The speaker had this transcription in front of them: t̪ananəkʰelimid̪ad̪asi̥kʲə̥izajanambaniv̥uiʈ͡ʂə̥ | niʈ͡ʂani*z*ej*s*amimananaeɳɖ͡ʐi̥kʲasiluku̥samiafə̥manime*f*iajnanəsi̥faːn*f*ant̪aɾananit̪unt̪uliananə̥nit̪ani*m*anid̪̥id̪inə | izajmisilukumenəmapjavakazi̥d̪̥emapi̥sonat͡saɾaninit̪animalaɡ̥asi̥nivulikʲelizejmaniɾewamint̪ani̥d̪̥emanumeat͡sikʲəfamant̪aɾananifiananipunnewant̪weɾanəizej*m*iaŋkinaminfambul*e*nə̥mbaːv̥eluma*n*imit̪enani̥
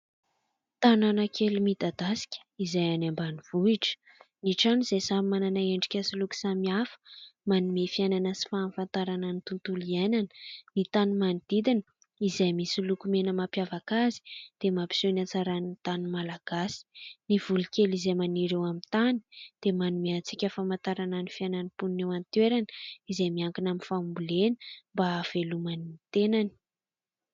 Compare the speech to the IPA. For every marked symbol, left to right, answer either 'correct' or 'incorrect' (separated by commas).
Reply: correct, correct, correct, correct, correct, correct, correct, correct